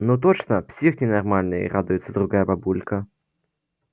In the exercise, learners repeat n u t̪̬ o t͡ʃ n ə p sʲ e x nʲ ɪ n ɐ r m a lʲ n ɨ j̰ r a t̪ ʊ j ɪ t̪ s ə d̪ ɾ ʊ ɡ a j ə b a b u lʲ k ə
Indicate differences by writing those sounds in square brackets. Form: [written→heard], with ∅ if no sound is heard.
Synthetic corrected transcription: n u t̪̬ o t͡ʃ n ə p sʲ [e→i] x nʲ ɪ n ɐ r m a lʲ n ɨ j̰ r a [t̪→d̪] ʊ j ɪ t̪ s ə d̪ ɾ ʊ ɡ a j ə b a b u lʲ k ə

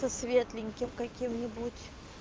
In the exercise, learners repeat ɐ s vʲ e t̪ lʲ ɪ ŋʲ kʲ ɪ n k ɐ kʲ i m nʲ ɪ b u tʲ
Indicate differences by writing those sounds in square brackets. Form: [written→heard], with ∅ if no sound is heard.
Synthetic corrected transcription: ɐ s vʲ e t̪ lʲ ɪ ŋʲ kʲ ɪ [n→m] k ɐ kʲ i m nʲ ɪ b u tʲ

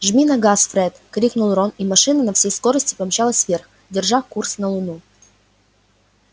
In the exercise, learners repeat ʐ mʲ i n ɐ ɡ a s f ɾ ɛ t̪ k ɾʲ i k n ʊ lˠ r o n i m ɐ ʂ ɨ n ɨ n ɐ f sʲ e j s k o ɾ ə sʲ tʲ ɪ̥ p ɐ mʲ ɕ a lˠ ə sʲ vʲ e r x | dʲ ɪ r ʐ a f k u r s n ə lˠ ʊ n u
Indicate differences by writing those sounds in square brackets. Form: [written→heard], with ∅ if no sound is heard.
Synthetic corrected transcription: ʐ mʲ i n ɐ ɡ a s f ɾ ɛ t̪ k ɾʲ i k n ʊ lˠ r o n i m ɐ ʂ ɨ n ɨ n ɐ f sʲ e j s k o ɾ ə sʲ tʲ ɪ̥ p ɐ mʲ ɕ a lˠ ə sʲ vʲ e r x | dʲ ɪ r ʐ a f k u r s n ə lˠ ʊ n u

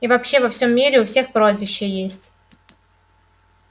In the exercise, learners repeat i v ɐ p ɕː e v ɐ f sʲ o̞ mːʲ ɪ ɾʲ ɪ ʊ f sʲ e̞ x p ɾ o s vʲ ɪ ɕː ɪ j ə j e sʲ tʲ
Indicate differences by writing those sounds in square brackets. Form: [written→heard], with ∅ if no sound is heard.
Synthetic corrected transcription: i v ɐ p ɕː e v ɐ f sʲ o̞ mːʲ [ɪ→i] ɾʲ ɪ ʊ f sʲ e̞ x p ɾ o [s→z] vʲ ɪ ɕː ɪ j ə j e sʲ tʲ

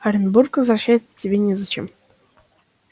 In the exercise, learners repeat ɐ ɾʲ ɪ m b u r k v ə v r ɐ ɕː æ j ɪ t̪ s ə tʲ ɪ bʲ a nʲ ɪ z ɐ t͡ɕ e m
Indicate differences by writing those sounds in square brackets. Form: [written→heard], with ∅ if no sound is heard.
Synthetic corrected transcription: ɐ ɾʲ ɪ [m→n] b u r k v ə [v→z] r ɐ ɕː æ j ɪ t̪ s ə tʲ ɪ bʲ [a→e] nʲ ɪ z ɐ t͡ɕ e m

